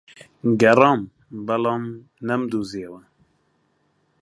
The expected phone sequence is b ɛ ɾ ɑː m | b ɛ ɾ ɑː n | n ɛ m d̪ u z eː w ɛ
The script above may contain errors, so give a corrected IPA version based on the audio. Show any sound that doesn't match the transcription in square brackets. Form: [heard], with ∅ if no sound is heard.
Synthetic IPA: [ɡ] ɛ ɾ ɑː m | b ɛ [l] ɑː [m] | n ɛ m d̪ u z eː w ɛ